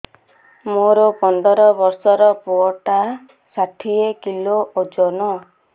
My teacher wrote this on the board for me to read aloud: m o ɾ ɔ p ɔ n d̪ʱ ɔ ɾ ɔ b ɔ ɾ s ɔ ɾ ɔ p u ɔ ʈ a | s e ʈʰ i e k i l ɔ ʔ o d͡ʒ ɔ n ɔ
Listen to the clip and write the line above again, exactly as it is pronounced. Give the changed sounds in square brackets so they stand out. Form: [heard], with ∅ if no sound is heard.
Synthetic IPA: m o ɾ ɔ p ɔ n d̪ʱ ɔ ɾ ɔ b ɔ ɾ s ɔ ɾ ɔ p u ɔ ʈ a | s [a] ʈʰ i e k i l [o] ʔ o d͡ʒ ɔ n ɔ